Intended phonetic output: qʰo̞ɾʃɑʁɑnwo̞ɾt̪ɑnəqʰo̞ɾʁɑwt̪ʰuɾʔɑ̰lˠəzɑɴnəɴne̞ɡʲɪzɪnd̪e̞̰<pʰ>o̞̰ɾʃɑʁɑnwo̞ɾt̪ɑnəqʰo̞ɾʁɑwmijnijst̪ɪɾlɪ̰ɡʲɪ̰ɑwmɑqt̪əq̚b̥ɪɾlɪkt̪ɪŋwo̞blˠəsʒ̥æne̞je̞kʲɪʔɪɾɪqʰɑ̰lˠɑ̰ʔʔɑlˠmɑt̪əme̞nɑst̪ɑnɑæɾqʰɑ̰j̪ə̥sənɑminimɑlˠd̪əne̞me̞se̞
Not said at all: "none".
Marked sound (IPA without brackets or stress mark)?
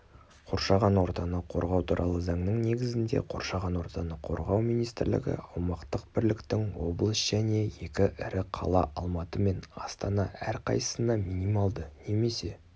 qʰ